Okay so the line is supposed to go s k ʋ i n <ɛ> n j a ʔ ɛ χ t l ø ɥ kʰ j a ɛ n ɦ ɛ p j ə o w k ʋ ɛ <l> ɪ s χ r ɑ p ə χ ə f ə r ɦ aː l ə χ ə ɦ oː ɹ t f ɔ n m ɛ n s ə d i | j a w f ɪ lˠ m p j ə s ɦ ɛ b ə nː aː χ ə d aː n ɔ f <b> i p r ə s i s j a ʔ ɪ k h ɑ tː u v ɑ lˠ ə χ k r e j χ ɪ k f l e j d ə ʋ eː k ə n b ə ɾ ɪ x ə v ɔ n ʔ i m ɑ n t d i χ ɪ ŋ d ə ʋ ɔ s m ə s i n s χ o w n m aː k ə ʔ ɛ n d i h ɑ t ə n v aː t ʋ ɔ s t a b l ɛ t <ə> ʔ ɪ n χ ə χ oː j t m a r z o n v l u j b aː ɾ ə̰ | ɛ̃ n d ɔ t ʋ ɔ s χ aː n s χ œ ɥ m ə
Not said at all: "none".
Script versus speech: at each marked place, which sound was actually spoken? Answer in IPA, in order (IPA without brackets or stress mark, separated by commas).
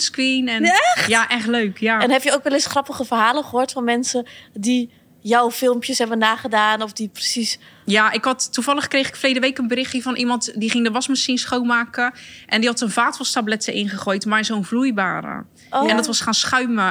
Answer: ɛ, l, d, ə